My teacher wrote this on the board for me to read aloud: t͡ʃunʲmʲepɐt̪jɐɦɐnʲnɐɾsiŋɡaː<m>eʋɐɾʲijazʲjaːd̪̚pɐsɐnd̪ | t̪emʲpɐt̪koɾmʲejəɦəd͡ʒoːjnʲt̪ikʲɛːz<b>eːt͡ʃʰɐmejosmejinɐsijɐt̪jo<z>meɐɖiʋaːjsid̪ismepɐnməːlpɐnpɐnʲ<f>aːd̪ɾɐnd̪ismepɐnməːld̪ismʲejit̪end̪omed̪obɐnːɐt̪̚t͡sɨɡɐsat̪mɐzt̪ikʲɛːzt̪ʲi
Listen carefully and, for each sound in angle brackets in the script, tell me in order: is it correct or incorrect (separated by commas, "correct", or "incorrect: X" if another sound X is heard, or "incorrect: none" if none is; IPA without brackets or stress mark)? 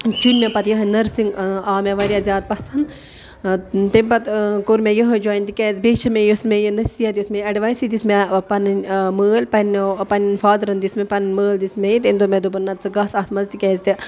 correct, correct, incorrect: s, correct